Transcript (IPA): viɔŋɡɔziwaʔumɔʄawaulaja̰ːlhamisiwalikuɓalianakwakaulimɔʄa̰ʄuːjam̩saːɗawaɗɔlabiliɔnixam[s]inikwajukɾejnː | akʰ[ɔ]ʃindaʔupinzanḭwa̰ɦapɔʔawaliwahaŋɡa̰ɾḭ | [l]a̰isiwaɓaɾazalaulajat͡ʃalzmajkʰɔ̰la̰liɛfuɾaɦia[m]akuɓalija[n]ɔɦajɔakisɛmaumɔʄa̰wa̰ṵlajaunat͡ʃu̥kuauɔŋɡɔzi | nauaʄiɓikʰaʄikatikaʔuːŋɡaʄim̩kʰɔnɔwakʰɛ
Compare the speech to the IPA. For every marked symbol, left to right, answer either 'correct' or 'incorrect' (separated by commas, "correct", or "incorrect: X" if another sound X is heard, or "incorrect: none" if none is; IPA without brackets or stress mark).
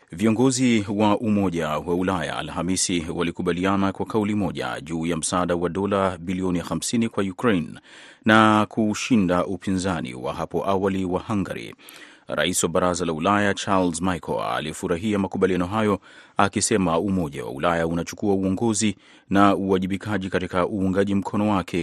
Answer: correct, incorrect: u, incorrect: ɾ, correct, correct